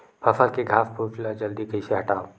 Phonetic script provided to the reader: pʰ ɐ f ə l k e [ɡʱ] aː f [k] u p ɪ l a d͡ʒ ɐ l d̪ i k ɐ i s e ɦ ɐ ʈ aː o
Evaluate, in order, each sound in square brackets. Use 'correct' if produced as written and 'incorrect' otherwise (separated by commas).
correct, incorrect